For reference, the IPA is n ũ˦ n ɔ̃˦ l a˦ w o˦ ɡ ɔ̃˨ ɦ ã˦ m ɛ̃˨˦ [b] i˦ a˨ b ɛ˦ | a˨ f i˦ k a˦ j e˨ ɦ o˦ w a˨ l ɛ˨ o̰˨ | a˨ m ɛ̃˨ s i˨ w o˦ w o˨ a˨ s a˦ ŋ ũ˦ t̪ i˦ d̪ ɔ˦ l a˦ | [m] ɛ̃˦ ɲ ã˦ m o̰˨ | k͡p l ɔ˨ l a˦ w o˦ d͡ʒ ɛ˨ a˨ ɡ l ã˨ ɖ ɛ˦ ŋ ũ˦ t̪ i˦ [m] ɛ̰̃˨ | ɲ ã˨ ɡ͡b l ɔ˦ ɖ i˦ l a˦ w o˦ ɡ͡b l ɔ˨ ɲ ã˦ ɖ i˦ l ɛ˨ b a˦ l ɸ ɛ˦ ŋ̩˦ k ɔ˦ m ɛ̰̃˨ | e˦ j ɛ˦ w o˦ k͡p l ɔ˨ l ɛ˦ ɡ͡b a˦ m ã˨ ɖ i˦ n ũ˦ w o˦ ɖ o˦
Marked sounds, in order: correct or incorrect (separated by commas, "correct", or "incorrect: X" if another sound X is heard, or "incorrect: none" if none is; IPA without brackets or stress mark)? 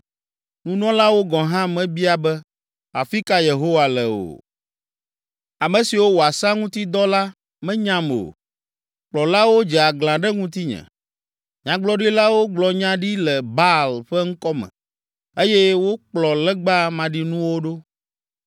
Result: correct, correct, incorrect: ɲ